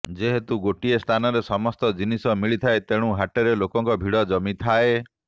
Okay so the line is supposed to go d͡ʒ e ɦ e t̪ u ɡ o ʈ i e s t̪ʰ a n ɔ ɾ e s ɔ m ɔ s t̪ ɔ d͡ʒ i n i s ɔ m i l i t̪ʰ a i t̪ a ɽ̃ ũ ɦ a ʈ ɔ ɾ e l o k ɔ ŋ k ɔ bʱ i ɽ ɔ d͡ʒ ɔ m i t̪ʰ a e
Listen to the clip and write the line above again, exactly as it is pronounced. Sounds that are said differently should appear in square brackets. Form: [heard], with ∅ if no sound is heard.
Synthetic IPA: d͡ʒ e ɦ e t̪ u ɡ o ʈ i e s t̪ʰ a n ɔ ɾ e s ɔ m ɔ s t̪ ɔ d͡ʒ i n i s ɔ m i [ɭ] i t̪ʰ a [e] t̪ [e] ɽ̃ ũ ɦ a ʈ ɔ ɾ e l o k ɔ ŋ k ɔ bʱ i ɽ ɔ d͡ʒ ɔ m i t̪ʰ a e